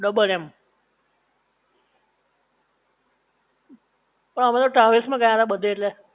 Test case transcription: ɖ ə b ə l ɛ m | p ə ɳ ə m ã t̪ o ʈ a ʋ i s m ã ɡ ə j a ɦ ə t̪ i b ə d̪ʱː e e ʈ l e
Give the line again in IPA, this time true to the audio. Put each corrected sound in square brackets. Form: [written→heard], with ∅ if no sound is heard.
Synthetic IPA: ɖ ə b ə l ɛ m | p ə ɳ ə m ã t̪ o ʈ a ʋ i s m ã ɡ ə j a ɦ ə t̪ [i→a] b ə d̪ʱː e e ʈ l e